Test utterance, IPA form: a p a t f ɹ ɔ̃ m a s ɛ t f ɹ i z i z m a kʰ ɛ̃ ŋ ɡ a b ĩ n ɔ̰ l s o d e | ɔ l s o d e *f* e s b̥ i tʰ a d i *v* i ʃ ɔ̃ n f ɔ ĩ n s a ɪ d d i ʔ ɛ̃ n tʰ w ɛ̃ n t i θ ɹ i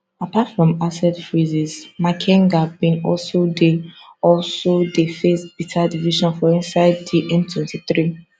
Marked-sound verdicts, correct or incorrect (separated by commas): correct, correct